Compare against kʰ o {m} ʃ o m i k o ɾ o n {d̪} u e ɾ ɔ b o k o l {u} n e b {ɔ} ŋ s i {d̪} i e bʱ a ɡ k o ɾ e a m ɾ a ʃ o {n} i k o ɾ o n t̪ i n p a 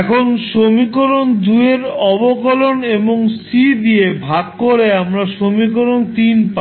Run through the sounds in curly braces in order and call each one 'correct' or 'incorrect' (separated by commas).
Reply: incorrect, correct, incorrect, incorrect, correct, incorrect